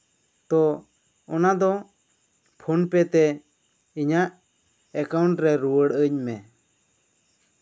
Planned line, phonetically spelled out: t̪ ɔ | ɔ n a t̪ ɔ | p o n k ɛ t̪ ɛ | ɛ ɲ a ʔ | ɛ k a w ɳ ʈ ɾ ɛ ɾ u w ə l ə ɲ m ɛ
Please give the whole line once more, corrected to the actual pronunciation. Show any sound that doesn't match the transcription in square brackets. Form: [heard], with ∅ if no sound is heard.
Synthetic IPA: t̪ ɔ | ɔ n a [d̪] ɔ | [pʰ] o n [p] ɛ t̪ ɛ | [i] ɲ a ʔ | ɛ k a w ɳ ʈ ɾ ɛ ɾ u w ə [ɽ] ə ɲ m ɛ